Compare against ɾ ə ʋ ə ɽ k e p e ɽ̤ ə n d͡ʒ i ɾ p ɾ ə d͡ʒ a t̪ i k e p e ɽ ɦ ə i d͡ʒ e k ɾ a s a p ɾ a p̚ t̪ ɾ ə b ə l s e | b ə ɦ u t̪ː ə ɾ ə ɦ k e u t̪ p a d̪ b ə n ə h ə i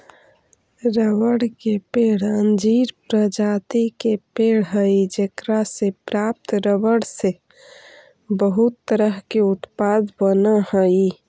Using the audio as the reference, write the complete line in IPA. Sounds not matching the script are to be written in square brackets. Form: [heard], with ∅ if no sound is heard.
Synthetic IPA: ɾ ə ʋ ə ɽ k e p e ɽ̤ ə n d͡ʒ i ɾ p ɾ ə d͡ʒ a t̪ i k e p e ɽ ɦ ə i d͡ʒ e k ɾ a s [e] p ɾ a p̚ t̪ ɾ ə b ə [ɽ] s e | b ə ɦ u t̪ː ə ɾ ə ɦ k e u t̪ p a d̪ b ə n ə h ə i